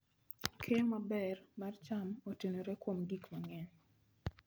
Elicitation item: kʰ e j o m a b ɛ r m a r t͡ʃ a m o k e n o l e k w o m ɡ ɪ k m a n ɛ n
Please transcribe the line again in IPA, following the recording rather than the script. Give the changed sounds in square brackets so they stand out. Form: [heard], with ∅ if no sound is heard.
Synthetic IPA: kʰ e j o m a b ɛ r m a r t͡ʃ a m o [t] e n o [ɾ] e k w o m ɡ [i] k m a [ŋ] ɛ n